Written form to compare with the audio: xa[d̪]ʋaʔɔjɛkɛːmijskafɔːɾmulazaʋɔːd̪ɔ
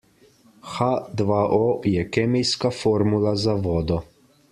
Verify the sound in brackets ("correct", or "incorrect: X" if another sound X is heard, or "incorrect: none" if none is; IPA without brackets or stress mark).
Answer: correct